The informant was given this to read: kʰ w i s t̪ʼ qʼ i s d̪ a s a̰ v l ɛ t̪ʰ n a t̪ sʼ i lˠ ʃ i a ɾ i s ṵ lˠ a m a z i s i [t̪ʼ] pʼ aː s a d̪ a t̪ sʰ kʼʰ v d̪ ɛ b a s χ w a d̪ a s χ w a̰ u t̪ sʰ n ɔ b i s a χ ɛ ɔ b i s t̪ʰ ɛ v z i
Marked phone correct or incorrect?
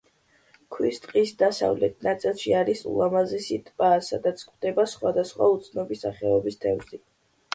correct